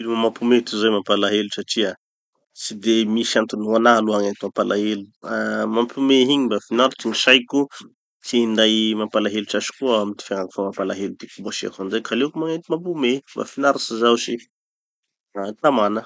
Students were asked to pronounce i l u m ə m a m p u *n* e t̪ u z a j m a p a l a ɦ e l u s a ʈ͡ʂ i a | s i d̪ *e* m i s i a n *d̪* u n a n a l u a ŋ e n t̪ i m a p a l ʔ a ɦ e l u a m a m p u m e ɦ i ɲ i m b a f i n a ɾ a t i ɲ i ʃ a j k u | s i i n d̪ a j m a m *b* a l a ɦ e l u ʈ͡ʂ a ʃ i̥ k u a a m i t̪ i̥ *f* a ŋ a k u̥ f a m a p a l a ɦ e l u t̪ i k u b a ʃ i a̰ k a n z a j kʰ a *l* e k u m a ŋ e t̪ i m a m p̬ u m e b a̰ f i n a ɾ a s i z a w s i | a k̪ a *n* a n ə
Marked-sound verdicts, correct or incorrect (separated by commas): incorrect, correct, incorrect, incorrect, correct, correct, incorrect